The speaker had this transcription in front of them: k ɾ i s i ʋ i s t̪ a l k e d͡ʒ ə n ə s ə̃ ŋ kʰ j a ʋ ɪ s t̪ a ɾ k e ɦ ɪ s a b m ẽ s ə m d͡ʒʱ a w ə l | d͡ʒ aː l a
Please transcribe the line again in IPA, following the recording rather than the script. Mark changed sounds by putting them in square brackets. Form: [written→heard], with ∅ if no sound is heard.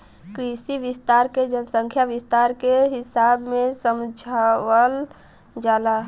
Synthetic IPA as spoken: k ɾ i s i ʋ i s t̪ a [l→ɾ] k e d͡ʒ ə n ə s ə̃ ŋ kʰ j a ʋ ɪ s t̪ a ɾ k e ɦ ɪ s a b m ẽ s ə m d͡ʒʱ a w ə l | d͡ʒ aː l a